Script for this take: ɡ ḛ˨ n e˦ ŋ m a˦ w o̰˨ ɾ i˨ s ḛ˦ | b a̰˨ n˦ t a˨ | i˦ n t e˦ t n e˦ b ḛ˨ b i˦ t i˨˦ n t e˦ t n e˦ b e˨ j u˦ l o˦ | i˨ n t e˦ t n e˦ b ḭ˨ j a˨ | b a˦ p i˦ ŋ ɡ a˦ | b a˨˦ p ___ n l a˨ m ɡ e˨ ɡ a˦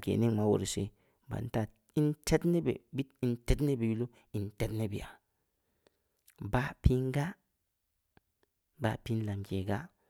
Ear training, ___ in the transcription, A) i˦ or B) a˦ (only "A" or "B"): A